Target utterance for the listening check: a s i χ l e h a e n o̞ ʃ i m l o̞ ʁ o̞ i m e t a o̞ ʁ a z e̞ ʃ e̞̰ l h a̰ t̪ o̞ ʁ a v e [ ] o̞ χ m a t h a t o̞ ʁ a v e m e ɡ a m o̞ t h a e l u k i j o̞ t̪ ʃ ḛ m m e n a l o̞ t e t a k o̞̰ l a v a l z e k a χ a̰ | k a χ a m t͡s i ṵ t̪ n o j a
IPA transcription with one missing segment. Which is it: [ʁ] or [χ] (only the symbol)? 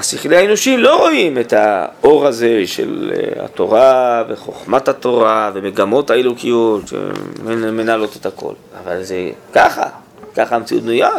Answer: χ